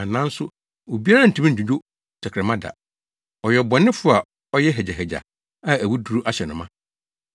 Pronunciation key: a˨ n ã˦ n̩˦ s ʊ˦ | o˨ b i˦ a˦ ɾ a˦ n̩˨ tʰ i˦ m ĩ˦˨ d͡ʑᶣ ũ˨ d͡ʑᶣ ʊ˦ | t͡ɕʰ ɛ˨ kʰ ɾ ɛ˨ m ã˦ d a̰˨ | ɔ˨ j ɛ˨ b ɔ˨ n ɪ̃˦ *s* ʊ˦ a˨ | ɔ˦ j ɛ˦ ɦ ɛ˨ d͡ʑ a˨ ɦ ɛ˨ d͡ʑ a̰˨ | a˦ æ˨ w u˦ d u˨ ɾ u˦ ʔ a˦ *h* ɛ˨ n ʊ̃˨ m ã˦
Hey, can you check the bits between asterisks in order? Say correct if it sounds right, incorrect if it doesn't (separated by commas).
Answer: incorrect, incorrect